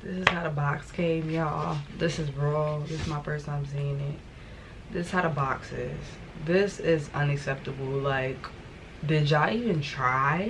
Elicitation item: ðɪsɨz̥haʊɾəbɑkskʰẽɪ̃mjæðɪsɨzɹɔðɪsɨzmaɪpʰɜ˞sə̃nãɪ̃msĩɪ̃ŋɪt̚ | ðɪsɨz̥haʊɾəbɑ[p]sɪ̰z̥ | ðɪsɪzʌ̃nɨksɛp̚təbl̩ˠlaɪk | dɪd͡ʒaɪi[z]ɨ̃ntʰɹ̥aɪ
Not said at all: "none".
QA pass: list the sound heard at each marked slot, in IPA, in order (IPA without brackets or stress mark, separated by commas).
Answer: k, v